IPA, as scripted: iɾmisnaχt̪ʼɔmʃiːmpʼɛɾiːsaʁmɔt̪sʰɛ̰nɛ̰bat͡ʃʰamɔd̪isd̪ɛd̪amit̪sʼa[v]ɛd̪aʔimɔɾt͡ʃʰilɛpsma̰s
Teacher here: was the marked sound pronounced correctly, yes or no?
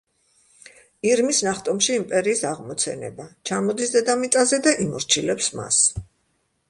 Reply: no